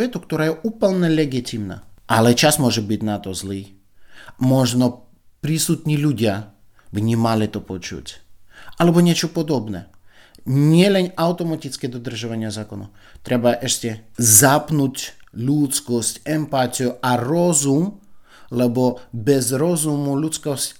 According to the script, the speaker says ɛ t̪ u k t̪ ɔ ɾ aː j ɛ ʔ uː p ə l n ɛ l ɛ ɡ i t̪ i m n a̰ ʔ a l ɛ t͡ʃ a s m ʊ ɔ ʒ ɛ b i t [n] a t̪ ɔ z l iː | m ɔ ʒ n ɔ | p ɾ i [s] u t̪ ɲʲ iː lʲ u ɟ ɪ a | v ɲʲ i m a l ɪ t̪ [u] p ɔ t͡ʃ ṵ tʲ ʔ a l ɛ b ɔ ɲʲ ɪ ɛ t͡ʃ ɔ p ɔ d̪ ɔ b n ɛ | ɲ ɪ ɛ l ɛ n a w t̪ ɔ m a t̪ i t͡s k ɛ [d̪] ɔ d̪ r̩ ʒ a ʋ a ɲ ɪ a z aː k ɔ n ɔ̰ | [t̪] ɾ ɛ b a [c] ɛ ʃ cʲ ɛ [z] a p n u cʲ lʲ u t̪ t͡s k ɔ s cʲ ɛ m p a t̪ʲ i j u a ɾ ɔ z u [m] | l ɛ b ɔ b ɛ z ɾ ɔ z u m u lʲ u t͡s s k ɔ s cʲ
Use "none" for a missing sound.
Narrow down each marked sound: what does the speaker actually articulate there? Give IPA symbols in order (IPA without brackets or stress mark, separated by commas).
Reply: n, s, ɔ, d̪, t̪, ʔ, z, m